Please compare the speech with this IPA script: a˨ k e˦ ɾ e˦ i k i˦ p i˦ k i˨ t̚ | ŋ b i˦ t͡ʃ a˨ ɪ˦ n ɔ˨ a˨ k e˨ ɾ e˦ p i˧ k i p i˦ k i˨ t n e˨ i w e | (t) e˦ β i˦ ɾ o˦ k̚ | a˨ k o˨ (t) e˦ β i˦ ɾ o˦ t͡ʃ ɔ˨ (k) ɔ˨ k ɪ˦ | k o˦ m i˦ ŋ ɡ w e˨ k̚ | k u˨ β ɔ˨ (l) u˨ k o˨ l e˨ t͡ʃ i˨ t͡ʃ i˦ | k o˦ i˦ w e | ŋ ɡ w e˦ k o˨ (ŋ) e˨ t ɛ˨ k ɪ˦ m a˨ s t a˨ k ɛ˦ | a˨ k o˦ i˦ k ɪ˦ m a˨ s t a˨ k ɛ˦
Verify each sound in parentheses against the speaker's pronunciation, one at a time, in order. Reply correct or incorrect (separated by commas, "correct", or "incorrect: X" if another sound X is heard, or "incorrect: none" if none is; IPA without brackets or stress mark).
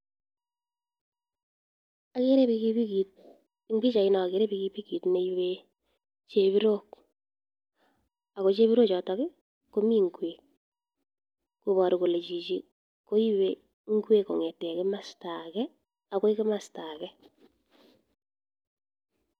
incorrect: t͡ʃ, incorrect: t͡ʃ, incorrect: t, incorrect: ɾ, correct